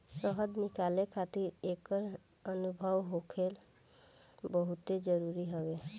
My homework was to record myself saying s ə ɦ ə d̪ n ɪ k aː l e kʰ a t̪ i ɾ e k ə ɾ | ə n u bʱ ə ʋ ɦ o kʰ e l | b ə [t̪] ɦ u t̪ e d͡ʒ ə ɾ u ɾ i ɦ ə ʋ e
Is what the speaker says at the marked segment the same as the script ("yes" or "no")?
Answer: no